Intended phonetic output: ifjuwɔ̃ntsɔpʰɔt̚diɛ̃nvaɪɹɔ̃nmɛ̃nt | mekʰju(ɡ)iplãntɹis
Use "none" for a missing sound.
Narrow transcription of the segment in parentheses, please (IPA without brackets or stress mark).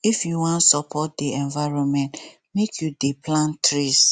d